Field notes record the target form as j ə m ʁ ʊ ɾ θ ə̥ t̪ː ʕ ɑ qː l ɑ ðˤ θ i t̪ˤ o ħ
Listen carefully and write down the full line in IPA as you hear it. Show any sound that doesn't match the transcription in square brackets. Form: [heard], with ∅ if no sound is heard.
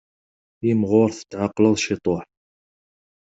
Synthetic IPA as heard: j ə m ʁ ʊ ɾ θ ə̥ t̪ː ʕ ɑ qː l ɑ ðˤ [ʃ] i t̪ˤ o ħ